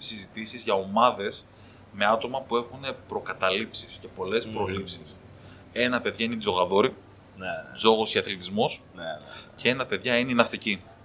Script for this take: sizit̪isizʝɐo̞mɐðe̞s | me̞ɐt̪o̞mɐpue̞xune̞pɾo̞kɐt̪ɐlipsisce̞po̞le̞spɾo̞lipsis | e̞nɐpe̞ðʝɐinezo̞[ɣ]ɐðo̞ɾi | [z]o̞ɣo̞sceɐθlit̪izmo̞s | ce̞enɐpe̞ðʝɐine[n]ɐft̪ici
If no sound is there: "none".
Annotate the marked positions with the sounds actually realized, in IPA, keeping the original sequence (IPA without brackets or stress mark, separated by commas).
ɣ, z, n